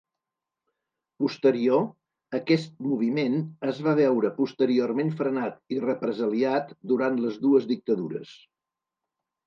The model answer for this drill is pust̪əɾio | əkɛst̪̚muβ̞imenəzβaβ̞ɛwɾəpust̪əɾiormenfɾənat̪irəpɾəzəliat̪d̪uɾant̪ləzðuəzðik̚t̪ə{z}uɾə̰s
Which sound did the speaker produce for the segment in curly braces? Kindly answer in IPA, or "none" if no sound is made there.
ð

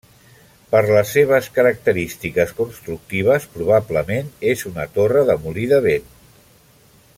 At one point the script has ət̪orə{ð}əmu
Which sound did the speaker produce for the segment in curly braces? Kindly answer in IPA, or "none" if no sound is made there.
ð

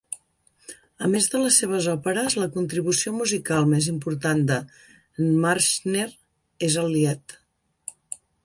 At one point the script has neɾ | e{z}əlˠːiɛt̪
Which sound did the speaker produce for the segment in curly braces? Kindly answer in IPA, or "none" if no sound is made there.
z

